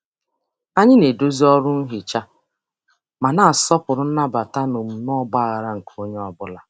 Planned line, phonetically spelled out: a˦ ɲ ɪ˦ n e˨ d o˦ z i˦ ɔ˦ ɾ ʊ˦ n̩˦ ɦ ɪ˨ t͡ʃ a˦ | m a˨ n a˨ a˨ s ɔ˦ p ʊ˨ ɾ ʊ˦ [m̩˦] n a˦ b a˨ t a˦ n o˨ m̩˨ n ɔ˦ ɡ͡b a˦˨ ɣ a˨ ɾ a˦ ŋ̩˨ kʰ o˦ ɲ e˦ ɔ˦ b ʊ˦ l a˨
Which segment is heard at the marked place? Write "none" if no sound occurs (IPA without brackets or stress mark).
n̩˦